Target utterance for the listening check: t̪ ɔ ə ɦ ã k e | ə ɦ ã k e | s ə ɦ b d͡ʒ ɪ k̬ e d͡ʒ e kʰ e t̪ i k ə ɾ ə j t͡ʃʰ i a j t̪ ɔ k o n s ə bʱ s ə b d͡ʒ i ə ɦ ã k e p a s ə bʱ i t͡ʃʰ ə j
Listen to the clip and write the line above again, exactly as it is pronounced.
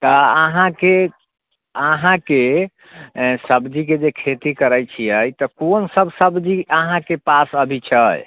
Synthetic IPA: t̪ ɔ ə ɦ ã k e | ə ɦ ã k e | s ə b d͡ʒ i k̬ e d͡ʒ e kʰ e t̪ i k ə ɾ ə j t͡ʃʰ i ə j t̪ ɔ k o n s ə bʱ s ə b d͡ʒ i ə ɦ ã k e p a s ə bʱ i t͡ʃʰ ə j

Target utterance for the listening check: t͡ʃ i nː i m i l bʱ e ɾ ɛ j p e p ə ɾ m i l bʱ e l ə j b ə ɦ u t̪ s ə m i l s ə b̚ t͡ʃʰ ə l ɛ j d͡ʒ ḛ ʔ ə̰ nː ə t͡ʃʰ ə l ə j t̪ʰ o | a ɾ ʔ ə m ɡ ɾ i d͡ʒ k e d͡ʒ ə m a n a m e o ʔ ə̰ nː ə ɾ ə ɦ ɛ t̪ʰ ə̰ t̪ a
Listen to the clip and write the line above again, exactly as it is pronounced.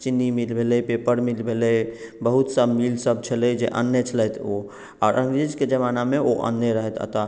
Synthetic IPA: t͡ʃ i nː i m i l bʱ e l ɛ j p e p ə ɾ m i l bʱ e l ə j b ə ɦ u t̪ s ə m i l s ə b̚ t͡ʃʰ ə l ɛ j d͡ʒ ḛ ʔ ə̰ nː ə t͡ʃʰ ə l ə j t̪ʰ o | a ɾ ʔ ə ŋ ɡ ɾ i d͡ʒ k e d͡ʒ ə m a n a m e o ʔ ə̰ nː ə ɾ ə ɦ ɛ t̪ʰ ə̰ t̪ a

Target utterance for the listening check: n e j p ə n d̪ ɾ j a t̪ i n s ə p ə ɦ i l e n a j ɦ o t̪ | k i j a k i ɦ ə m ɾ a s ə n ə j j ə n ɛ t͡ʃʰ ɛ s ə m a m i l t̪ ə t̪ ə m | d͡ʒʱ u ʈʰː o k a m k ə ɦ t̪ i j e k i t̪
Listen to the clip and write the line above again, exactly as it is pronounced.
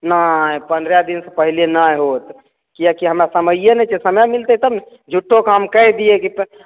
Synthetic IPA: n a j p ə n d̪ ɾ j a d̪ i n s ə p ə ɦ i l e n a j ɦ o t̪ | k i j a k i ɦ ə m ɾ a s ə m ə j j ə n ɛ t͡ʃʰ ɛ s ə m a m i l t̪ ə t̪ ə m | d͡ʒʱ u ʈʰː o k a m k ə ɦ d̪ i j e k i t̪

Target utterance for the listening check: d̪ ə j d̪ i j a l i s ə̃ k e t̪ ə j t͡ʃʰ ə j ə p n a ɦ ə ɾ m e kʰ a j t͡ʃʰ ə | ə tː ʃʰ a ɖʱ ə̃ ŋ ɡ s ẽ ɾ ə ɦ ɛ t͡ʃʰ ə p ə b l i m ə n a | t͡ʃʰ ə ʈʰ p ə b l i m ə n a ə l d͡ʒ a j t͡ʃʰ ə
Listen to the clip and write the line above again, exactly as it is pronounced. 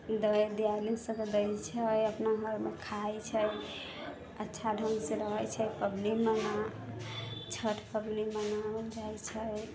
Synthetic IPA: d̪ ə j d̪ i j a l i s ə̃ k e d̪ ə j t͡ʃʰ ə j ə p n a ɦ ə ɾ m e kʰ a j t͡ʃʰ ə | ə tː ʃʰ a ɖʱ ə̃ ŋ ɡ s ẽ ɾ ə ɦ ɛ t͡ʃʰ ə p ə b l i m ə n a | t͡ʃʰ ə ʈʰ p ə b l i m ə n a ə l d͡ʒ a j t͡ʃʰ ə

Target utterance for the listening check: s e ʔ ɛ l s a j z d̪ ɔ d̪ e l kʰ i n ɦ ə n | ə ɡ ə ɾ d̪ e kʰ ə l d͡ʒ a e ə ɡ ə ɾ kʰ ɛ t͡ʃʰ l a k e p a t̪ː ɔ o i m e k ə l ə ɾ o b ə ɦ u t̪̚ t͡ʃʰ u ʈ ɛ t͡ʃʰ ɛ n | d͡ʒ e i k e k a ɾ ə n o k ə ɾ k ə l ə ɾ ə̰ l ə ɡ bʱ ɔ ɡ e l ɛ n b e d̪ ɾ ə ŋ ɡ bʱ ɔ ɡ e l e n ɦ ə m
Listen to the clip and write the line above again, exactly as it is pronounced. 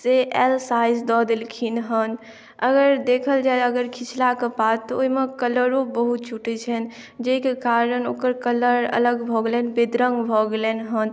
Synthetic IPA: s e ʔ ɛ l s a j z d̪ ɔ d̪ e l kʰ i n ɦ ə n | ə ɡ ə ɾ d̪ e kʰ ə l d͡ʒ a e ə ɡ ə ɾ kʰ i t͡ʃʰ l a k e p a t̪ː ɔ o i m e k ə l ə ɾ o b ə ɦ u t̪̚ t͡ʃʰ u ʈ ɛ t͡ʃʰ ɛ n | d͡ʒ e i k e k a ɾ ə n o k ə ɾ k ə l ə ɾ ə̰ l ə ɡ bʱ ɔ ɡ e l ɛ n b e d̪ ɾ ə ŋ ɡ bʱ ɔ ɡ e l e n ɦ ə n

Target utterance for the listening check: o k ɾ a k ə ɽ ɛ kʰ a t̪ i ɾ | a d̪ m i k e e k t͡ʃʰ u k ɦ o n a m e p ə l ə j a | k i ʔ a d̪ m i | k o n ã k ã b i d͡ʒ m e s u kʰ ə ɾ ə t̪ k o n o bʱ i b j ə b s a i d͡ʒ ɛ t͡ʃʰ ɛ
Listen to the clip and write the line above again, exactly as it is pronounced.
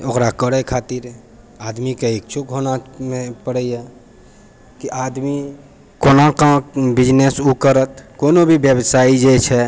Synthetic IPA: o k ɾ a k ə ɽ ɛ kʰ a t̪ i ɾ | a d̪ m i k e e k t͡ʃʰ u k ɦ o n a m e p ə ɽ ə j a | k i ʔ a d̪ m i | k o n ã k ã b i d͡ʒ n e s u k ə ɾ ə t̪ k o n o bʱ i b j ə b s a i d͡ʒ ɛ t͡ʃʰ ɛ

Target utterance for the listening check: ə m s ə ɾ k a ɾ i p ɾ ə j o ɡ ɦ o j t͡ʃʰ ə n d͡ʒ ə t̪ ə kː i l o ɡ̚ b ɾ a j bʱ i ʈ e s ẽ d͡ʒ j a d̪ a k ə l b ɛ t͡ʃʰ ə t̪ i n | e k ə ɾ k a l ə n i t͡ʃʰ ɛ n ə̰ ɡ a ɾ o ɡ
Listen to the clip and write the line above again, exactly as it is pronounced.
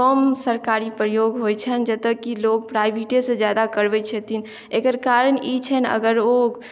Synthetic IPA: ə m s ə ɾ k a ɾ i p ɾ ə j o ɡ ɦ o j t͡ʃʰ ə n d͡ʒ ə t̪ ə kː i l o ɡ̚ p ɾ a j bʱ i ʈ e s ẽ d͡ʒ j a d̪ a k ə ɾ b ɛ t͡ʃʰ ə t̪ i n | e k ə ɾ k a ɾ ə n i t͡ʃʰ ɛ n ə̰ ɡ ə ɾ o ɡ

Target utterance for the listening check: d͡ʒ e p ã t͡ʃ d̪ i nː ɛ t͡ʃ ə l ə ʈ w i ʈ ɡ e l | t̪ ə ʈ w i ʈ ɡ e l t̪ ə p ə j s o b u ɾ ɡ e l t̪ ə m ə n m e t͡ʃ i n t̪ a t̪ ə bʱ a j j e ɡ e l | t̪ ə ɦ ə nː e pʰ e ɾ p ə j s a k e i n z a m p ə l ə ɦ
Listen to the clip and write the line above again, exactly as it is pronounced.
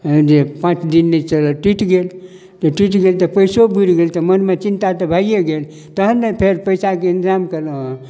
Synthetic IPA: d͡ʒ e p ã t͡ʃ d̪ i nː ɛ t͡ʃ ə l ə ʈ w i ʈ ɡ e l | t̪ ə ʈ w i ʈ ɡ e l t̪ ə p ə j s o b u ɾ ɡ e l t̪ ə m ə n m e t͡ʃ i n t̪ a t̪ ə bʱ a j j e ɡ e l | t̪ ə ɦ ə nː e pʰ e ɾ p ə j s a k e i n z a m k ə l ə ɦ

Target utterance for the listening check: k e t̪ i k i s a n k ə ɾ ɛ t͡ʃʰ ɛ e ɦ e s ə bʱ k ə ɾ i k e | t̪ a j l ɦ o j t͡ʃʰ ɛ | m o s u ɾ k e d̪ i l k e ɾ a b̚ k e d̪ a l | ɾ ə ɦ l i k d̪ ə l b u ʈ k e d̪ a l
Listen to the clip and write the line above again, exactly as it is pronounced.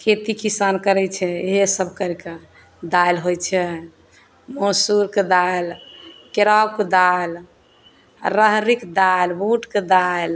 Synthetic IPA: kʰ e t̪ i k i s a n k ə ɾ ɛ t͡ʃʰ ɛ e ɦ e s ə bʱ k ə ɾ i k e | d̪ a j l ɦ o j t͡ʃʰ ɛ | m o s u ɾ k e d̪ a l k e ɾ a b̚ k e d̪ a l | ɾ ə ɦ ɾ i k d̪ a l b u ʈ k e d̪ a l

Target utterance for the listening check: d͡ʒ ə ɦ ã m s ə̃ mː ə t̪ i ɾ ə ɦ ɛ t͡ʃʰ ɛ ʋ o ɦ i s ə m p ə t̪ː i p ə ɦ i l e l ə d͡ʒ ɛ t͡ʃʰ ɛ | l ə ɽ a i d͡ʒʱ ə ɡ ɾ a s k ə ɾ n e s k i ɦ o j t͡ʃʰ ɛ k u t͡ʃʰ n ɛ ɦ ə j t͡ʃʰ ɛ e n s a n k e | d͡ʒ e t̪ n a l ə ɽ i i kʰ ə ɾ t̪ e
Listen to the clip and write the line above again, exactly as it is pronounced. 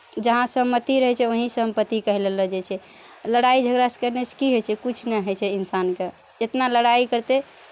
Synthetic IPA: d͡ʒ ə ɦ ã s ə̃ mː ə t̪ i ɾ ə ɦ ɛ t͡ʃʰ ɛ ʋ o ɦ i s ə m p ə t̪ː i k ə ɦ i l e l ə d͡ʒ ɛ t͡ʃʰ ɛ | l ə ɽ a i d͡ʒʱ ə ɡ ɾ a s k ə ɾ n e s k i ɦ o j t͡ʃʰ ɛ k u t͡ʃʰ n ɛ ɦ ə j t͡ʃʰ ɛ i n s a n k e | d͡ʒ e t̪ n a l ə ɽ a i k ə ɾ t̪ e

